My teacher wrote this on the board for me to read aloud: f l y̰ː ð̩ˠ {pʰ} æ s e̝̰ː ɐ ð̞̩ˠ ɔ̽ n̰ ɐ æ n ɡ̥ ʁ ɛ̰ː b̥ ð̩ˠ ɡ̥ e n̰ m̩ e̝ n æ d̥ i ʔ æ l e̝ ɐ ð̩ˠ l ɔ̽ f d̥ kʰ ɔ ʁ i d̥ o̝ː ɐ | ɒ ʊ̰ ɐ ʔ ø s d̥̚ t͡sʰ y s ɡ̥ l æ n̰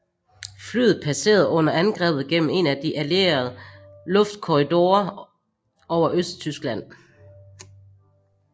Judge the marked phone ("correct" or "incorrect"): correct